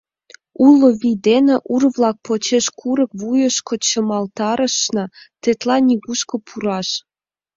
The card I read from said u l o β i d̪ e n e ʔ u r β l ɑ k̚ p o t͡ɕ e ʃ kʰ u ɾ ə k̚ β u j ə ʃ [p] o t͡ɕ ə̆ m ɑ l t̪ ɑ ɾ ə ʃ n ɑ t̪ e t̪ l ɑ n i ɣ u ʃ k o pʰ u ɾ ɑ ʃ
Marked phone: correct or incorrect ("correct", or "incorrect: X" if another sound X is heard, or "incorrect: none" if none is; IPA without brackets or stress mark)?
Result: incorrect: k